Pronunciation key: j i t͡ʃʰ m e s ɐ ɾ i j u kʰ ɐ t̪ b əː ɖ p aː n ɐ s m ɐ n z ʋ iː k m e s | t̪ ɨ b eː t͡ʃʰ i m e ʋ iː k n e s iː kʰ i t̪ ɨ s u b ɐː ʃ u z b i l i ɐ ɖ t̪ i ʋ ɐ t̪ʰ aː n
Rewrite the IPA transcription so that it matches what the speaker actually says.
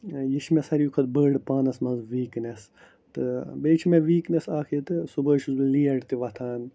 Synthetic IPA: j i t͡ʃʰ m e s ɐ ɾ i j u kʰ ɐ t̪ b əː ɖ p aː n ɐ s m ɐ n z ʋ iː k n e s | t̪ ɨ b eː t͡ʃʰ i m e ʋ iː k n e s aː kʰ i t̪ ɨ s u b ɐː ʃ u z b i l i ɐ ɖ t̪ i ʋ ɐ t̪ʰ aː n

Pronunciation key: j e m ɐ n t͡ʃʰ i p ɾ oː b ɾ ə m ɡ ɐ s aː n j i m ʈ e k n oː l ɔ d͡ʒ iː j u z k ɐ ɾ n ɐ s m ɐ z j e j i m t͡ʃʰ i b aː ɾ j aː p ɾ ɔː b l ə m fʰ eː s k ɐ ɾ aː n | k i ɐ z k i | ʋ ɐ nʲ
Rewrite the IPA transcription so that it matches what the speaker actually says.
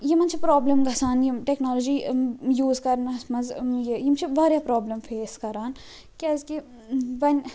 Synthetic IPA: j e m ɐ n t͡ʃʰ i p ɾ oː b l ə m ɡ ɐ s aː n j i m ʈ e k n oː l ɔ d͡ʒ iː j uː z k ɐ ɾ n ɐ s m ɐ z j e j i m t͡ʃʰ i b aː ɾ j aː p ɾ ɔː b l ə m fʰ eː s k ɐ ɾ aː n | k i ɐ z k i | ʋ ɐ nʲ

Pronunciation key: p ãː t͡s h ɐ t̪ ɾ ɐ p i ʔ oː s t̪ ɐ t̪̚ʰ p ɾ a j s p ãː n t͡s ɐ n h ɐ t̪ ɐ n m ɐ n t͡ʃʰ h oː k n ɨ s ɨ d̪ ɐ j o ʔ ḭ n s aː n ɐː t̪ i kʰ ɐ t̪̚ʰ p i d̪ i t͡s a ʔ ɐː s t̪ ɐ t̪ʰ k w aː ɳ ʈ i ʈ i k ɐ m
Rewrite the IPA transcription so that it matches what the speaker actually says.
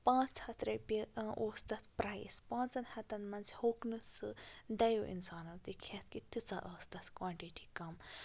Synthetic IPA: p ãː t͡s h ɐ t̪ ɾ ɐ p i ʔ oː s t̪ ɐ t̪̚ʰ p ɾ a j s p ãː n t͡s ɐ n h ɐ t̪ ɐ n m ɐ n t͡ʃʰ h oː k n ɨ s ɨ d̪ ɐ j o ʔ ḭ n s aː n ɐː t̪ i kʰ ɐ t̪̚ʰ k i t̪ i t͡s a ʔ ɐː s t̪ ɐ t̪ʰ k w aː ɳ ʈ i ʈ i k ɐ m

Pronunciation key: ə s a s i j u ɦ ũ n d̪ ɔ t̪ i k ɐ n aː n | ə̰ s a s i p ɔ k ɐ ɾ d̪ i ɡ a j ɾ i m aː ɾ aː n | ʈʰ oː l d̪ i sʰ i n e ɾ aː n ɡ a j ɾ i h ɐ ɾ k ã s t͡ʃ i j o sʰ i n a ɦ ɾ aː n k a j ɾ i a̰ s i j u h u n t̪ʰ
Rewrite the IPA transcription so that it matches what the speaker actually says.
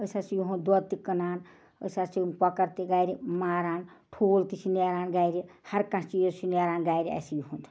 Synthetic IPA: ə s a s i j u ɦ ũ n d̪ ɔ t̪ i k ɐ n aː n | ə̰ s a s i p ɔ k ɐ ɾ t̪ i ɡ a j ɾ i m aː ɾ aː n | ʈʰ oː l t̪ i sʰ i n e ɾ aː n ɡ a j ɾ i h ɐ ɾ k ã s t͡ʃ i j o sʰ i n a ɾ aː n ɡ a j ɾ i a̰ s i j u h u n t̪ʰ

